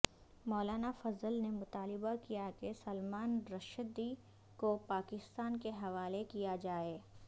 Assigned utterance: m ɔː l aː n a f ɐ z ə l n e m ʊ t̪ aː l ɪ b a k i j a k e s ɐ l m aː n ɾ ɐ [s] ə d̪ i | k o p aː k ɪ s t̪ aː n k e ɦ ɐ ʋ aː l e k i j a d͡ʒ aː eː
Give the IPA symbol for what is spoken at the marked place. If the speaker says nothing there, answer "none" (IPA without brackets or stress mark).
ʃ